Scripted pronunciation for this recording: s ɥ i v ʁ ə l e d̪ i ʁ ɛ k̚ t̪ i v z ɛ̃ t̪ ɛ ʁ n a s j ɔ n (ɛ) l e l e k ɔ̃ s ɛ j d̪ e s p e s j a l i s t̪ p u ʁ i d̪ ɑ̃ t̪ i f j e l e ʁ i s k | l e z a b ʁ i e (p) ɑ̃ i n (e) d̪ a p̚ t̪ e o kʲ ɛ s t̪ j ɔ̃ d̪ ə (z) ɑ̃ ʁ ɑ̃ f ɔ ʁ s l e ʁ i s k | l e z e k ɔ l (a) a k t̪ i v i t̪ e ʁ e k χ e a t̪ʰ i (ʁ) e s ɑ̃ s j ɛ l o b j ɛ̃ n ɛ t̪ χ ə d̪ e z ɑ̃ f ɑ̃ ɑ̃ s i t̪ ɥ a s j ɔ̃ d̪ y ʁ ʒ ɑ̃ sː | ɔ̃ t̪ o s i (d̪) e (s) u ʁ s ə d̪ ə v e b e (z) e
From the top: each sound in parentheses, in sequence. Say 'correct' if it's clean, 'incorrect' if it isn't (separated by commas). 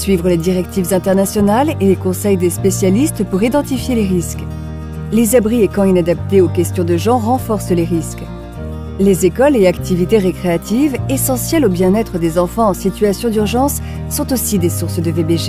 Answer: incorrect, incorrect, incorrect, incorrect, incorrect, incorrect, correct, correct, incorrect